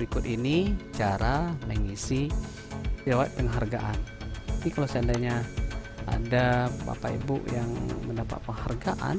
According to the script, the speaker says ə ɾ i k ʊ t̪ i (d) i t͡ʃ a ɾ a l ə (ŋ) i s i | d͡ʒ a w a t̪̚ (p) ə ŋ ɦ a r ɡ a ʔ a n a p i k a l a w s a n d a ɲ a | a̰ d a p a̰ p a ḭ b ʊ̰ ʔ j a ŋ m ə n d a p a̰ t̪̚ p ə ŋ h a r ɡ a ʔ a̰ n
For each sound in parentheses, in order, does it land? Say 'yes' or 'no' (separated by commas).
no, yes, yes